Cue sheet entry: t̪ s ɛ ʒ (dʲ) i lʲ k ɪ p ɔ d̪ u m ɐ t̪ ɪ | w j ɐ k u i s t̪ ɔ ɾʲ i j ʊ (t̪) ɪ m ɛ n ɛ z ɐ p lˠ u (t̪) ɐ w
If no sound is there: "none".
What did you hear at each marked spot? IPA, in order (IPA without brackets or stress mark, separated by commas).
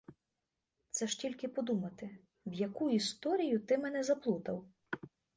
tʲ, t̪, t̪